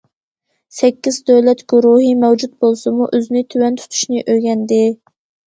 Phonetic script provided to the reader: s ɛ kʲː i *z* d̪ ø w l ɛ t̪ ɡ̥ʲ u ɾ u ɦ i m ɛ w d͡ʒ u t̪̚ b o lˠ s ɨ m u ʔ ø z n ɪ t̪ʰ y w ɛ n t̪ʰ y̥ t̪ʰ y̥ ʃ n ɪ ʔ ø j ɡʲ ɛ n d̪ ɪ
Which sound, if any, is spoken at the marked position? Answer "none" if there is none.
z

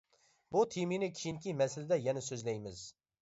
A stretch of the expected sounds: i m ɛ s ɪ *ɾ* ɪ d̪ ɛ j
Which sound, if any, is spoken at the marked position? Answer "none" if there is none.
l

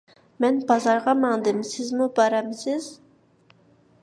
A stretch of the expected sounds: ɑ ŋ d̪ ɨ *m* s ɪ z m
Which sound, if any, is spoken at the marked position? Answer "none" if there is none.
m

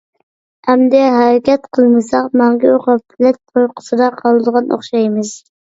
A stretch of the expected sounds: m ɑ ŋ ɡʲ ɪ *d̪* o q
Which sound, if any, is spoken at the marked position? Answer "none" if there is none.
none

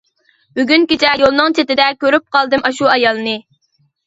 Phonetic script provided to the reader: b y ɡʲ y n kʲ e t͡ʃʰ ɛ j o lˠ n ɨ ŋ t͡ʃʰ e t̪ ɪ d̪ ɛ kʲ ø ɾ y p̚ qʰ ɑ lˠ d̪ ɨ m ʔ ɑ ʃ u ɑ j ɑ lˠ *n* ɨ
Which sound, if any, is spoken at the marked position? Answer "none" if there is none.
n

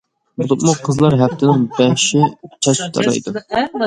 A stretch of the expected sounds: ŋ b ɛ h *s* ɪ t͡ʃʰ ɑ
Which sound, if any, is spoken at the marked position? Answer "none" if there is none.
ʃ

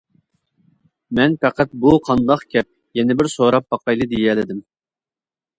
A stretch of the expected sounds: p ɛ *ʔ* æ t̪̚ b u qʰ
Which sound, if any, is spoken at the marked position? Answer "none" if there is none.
q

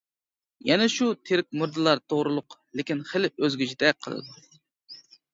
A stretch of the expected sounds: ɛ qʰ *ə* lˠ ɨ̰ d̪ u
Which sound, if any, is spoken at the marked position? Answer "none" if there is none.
ə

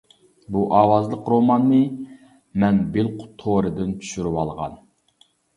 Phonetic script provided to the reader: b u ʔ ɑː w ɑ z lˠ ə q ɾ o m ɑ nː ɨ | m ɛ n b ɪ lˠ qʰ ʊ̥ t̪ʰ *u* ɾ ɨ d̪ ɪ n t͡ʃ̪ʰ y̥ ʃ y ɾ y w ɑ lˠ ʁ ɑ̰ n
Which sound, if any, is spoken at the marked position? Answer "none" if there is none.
o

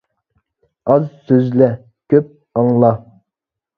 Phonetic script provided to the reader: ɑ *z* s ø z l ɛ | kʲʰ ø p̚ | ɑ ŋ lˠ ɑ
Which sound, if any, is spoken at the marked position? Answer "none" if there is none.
z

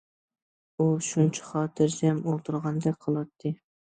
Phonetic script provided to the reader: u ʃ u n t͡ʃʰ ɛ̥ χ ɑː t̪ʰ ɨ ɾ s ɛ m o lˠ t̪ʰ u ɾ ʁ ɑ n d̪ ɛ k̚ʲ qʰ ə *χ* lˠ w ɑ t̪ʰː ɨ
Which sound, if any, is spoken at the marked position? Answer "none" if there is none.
none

